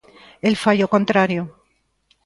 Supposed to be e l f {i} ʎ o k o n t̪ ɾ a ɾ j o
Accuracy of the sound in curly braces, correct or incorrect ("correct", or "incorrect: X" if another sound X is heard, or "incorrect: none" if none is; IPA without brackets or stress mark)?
incorrect: a